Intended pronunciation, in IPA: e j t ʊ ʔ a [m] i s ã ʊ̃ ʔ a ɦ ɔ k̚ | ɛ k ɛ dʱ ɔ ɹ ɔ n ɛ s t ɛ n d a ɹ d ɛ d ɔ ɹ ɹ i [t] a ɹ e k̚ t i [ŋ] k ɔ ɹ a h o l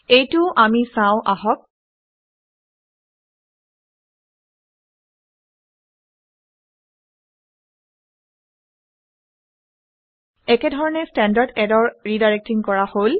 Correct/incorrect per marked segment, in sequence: correct, incorrect, correct

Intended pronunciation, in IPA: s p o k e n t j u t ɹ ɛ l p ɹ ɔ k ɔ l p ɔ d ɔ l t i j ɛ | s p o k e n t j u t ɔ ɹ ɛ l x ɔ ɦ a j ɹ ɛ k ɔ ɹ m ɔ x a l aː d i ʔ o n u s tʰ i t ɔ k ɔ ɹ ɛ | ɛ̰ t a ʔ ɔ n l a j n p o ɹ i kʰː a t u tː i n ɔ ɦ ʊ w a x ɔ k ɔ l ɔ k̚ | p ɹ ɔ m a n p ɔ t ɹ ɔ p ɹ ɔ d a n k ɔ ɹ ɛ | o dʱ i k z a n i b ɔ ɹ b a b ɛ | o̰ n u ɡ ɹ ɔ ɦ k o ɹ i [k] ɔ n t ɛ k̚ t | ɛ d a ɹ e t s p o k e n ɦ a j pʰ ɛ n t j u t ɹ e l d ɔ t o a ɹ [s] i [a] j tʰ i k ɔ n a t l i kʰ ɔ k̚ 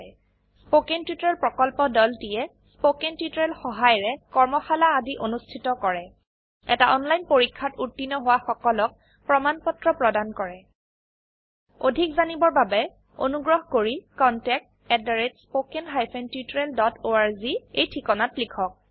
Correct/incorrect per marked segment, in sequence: correct, incorrect, incorrect

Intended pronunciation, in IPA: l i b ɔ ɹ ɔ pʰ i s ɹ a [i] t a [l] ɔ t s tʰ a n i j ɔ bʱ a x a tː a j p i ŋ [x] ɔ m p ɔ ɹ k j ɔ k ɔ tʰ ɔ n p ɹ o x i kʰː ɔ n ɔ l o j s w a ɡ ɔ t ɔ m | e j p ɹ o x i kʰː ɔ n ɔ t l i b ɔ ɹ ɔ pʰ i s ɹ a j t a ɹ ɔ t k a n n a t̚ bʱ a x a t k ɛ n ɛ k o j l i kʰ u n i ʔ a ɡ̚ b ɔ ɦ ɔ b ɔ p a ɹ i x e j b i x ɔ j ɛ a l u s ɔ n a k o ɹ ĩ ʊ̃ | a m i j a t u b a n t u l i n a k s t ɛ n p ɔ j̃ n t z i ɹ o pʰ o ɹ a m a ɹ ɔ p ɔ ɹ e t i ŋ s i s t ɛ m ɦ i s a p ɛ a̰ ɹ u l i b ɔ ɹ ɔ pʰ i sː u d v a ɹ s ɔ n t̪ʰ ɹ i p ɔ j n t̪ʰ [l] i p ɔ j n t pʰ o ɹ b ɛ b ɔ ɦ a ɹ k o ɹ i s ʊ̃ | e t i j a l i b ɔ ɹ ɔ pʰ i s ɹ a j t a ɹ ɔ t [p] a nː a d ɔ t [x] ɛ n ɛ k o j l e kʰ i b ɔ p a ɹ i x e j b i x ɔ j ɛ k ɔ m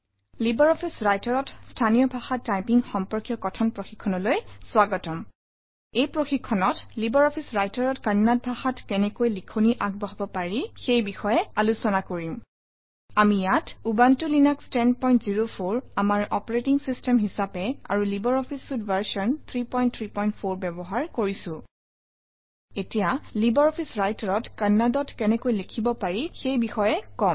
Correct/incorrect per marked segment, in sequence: incorrect, incorrect, correct, incorrect, incorrect, incorrect

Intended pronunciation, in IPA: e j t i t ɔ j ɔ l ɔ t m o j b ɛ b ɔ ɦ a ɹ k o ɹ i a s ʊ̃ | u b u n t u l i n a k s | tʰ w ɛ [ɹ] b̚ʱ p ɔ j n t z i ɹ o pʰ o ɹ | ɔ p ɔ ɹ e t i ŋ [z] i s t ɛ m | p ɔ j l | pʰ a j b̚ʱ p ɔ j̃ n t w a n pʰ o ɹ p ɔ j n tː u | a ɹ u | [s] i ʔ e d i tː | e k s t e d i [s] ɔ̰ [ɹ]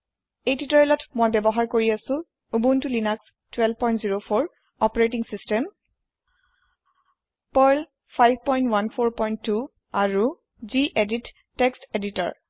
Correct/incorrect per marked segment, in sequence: incorrect, incorrect, incorrect, incorrect, correct

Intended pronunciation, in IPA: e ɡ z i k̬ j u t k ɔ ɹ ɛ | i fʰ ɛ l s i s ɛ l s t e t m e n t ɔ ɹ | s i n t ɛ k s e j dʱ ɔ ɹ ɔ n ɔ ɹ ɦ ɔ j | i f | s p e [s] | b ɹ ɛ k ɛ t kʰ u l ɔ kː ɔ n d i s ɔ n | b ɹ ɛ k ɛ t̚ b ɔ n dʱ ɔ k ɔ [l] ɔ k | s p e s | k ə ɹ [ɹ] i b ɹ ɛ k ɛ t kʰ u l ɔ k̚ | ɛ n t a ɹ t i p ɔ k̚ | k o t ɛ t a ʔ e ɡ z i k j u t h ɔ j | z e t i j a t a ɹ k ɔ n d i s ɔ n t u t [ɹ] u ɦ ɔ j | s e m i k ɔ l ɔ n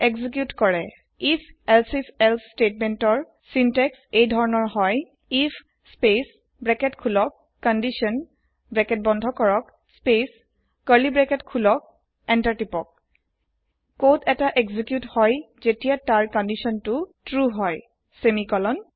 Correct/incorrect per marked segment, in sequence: correct, incorrect, incorrect, correct

